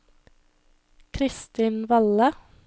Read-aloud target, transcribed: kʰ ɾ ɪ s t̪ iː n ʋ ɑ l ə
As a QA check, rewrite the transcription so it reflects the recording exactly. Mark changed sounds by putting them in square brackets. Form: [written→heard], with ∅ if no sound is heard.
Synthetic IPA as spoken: kʰ ɾ ɪ s t̪ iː n ʋ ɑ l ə